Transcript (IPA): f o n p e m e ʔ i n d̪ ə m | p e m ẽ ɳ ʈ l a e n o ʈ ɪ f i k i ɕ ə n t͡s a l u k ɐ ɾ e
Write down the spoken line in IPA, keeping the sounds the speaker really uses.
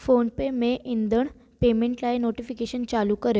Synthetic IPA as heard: f o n p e m e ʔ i n d̪ ə ɳ | p e m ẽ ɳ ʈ l a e n o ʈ i f i k e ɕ ə n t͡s a l u k ə ɾ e